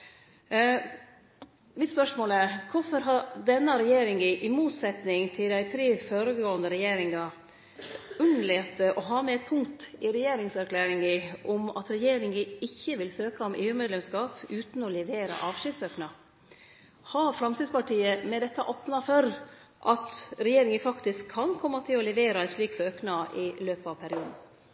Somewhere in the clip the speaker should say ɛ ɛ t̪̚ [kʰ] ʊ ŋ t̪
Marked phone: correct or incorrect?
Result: incorrect